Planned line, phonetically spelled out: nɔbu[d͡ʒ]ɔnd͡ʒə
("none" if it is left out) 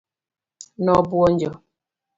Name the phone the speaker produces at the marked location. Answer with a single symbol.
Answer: none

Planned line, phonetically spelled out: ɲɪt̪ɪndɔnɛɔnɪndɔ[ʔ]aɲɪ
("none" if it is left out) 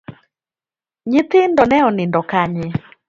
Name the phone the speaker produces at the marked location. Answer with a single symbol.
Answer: k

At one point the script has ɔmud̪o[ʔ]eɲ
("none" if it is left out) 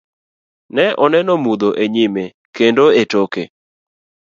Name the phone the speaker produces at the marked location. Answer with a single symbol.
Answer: ʔ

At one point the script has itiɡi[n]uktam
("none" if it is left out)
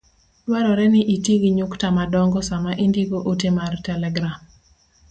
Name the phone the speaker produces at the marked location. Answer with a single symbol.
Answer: ɲ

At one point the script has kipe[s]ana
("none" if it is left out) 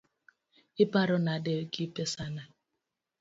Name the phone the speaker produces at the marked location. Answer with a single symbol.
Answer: s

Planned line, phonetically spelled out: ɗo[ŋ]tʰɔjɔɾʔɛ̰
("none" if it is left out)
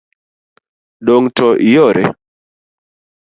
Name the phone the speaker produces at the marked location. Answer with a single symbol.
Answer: ŋ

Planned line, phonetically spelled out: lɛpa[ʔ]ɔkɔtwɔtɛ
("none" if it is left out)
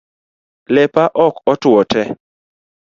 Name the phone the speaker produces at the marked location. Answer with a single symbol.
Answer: ʔ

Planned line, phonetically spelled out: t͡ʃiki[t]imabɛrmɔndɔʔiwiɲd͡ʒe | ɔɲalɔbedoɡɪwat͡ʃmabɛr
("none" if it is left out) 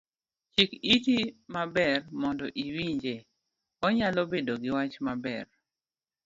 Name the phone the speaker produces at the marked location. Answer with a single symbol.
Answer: t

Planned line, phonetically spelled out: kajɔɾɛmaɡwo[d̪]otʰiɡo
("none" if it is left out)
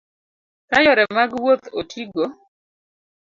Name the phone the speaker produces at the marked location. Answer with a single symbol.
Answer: t̪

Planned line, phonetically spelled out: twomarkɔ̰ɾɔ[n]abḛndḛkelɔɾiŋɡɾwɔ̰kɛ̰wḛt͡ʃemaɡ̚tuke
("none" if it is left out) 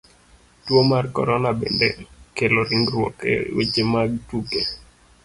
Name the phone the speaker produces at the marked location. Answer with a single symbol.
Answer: n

